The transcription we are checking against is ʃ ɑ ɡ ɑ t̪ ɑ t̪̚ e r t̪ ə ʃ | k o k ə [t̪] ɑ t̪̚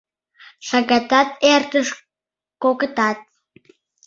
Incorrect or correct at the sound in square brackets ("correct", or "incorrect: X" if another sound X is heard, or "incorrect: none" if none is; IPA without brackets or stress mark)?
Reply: correct